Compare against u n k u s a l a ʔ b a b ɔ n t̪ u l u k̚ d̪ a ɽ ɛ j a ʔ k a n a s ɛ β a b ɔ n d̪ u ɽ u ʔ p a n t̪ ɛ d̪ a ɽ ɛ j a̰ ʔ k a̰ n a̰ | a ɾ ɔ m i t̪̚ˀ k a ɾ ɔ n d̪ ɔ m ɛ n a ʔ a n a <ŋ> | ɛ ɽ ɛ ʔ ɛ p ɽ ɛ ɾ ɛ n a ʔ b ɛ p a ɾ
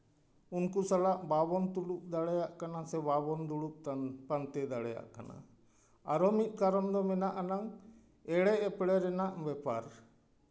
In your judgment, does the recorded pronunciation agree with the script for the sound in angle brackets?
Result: yes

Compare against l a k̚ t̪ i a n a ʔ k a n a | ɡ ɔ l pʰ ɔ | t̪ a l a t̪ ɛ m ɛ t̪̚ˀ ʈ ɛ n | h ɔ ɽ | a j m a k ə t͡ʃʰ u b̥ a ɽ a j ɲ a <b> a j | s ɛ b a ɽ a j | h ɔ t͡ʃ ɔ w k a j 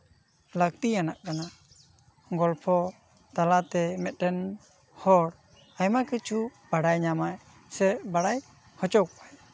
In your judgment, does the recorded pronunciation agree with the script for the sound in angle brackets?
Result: no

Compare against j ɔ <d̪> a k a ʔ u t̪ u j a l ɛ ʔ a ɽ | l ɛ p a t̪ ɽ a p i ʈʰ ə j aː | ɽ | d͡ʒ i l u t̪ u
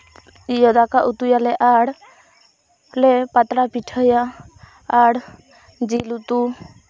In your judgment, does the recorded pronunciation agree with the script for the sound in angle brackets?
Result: yes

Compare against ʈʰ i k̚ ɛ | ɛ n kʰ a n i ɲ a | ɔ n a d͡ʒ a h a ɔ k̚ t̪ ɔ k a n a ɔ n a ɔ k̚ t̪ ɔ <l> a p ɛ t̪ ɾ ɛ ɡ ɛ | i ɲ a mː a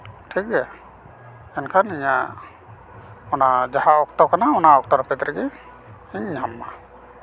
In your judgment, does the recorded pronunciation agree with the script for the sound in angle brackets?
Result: no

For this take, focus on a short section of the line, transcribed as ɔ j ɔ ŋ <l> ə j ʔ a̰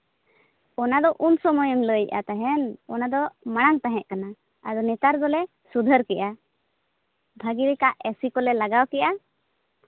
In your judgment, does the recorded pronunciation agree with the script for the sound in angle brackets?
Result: yes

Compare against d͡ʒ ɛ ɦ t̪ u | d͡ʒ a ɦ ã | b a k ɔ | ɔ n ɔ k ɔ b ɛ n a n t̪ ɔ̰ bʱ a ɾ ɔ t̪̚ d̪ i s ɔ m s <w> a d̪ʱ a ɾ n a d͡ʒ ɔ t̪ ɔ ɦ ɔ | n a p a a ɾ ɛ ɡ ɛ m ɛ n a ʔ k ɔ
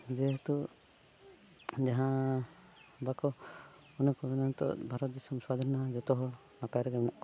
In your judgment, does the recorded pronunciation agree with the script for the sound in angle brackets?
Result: yes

